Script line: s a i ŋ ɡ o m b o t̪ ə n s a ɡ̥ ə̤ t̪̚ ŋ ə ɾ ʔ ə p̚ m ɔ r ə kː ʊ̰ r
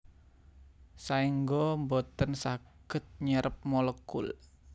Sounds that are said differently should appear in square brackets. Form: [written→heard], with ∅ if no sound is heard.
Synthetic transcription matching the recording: s a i ŋ ɡ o m b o t̪ ə n s a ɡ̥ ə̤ t̪̚ [ŋ→ɲ] ə ɾ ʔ ə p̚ m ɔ [r→l] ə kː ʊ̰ [r→l]

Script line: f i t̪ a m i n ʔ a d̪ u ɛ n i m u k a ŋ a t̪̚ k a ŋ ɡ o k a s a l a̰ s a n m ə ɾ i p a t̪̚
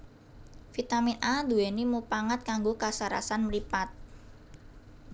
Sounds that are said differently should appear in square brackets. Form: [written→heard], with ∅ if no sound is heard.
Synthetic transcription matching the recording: f i t̪ a m i n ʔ a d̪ u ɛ n i m u [k→p] a ŋ a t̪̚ k a ŋ ɡ o k a s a [l→ɾ] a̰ s a n m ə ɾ i p a t̪̚

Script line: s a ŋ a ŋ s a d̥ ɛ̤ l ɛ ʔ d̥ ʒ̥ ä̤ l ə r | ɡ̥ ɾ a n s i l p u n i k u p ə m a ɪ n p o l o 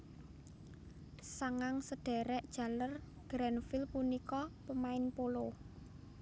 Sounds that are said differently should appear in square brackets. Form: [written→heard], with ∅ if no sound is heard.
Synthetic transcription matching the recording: s a ŋ a ŋ s [a→ə] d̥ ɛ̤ [l→ɾ] ɛ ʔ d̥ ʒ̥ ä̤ l ə r | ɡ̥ ɾ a n [s→f] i l p u n i k [u→ɔ] p ə m a ɪ n p o l o

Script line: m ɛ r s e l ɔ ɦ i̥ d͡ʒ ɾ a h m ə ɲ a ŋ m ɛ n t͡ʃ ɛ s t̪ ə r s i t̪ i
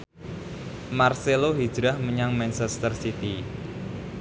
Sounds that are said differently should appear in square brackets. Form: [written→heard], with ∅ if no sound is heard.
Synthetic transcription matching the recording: m [ɛ→a] r s e l [ɔ→o] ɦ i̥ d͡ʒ ɾ a h m ə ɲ a ŋ m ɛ n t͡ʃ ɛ s t̪ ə r s i t̪ i

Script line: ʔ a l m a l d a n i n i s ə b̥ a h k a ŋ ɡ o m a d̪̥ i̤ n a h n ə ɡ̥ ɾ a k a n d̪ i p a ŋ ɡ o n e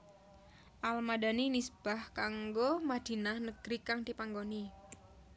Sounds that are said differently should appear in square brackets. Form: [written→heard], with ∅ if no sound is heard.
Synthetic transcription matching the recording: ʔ a l m a [l→∅] d a n i n i s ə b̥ a h k a ŋ ɡ o m a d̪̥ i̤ n a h n ə ɡ̥ ɾ [a→i] k a [n→ŋ] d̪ i p a ŋ ɡ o n [e→i]

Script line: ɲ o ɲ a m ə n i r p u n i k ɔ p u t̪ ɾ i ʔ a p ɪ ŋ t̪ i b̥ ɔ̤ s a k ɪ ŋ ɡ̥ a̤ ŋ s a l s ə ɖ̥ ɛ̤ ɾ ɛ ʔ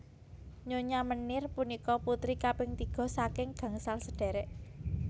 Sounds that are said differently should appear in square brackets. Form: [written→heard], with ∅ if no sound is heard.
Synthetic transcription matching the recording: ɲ o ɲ a m ə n [i→ɪ] r p u n i k ɔ p u t̪ ɾ i [ʔ→k] a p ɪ ŋ t̪ i [b̥→ɡ̥] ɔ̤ s a k ɪ ŋ ɡ̥ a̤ ŋ s a l s ə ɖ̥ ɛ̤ ɾ ɛ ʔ

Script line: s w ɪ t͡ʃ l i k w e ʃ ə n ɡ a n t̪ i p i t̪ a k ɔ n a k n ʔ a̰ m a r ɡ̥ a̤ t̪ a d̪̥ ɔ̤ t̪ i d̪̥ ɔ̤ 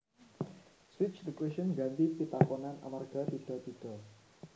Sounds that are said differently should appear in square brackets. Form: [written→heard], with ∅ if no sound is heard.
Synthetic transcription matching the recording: s w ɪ t͡ʃ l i k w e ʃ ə n ɡ a n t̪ i p i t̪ a k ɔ n a [k→∅] n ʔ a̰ m a r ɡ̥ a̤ t̪ [a→i] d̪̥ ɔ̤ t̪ i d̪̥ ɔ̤

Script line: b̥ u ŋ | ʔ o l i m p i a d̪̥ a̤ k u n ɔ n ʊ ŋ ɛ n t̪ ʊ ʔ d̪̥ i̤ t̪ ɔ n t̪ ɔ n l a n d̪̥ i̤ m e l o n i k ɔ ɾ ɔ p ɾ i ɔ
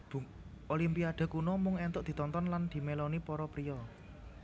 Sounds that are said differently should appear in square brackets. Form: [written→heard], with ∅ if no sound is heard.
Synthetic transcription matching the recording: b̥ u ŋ | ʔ o l i m p i a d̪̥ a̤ k u n ɔ [n→m] ʊ ŋ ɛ n t̪ ʊ ʔ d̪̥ i̤ t̪ ɔ n t̪ ɔ n l a n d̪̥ i̤ m e l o n i [k→p] ɔ ɾ ɔ p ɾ i ɔ

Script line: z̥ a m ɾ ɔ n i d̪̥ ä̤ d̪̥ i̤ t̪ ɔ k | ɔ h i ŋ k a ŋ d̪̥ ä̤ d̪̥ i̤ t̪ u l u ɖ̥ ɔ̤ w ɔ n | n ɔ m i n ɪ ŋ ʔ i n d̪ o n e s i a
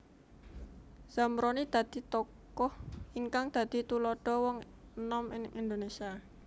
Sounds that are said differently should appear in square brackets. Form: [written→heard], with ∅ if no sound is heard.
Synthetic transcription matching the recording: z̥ a m ɾ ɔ n i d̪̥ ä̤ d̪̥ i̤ t̪ ɔ k | ɔ h i ŋ k a ŋ d̪̥ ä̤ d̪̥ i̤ t̪ u l [u→ɔ] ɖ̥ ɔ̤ w ɔ [n→ŋ] | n ɔ m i n ɪ ŋ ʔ i n d̪ o n e s i a

